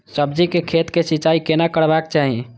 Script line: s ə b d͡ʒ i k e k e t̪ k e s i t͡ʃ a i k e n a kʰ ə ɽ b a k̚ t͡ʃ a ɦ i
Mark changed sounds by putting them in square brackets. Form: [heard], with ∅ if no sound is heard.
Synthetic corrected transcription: s ə b d͡ʒ i k e [kʰ] e t̪ k e s i t͡ʃ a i k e n a [k] ə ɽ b a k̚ t͡ʃ a ɦ i